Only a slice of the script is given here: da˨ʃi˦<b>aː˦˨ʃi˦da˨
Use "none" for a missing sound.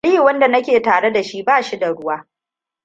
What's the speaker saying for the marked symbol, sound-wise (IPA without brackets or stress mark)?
b